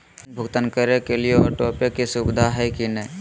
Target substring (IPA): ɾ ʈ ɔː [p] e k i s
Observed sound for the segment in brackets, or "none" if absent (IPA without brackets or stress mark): p